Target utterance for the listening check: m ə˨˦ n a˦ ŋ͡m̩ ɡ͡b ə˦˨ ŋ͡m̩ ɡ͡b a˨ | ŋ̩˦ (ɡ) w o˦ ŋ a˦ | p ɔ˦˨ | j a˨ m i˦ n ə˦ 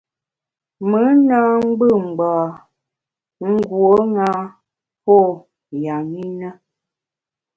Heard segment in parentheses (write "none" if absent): ɡ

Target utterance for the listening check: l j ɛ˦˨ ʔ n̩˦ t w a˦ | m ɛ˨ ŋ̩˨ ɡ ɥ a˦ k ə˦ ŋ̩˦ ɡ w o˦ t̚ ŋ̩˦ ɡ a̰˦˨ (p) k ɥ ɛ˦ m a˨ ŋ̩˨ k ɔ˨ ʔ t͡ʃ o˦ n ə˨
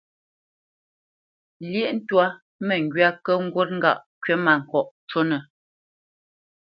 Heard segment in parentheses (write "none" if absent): ʔ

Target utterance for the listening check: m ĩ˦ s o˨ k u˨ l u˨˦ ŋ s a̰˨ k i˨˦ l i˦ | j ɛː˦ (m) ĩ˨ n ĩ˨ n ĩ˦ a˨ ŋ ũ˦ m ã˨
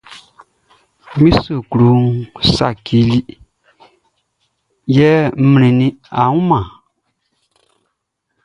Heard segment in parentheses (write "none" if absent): m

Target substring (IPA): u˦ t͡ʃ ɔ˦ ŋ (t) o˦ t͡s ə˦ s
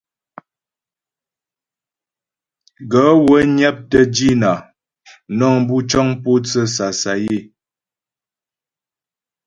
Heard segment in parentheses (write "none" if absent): p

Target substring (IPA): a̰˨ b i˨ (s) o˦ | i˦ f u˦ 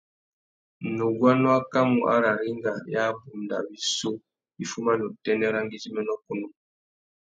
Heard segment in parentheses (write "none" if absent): s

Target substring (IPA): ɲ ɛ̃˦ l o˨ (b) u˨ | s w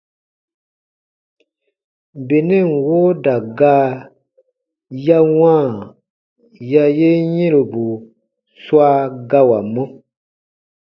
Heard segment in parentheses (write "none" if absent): b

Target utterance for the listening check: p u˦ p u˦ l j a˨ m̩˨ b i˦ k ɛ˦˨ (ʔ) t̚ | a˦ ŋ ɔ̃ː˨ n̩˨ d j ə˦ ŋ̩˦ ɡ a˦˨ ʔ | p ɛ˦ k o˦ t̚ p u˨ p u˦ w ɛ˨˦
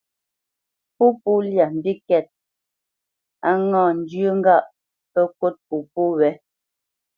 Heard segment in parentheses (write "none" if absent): none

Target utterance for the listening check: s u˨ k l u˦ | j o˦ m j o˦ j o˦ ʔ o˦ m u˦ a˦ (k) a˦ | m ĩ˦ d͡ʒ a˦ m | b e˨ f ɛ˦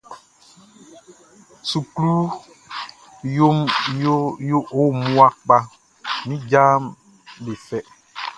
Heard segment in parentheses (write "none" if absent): k͡p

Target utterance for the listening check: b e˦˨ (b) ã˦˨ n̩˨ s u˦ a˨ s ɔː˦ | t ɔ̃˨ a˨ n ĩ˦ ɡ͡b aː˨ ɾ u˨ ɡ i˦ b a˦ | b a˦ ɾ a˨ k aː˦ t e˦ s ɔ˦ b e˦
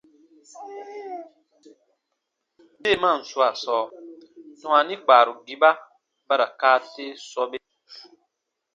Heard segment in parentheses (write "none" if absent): m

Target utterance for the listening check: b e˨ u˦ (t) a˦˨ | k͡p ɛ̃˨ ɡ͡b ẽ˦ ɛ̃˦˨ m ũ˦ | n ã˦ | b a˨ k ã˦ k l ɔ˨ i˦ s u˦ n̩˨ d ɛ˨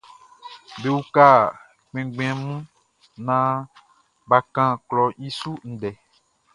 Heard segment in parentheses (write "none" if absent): k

